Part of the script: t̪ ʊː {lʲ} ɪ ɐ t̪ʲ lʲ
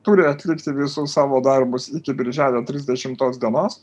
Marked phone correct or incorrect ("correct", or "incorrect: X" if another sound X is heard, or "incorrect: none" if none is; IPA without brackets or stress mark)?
incorrect: ɾʲ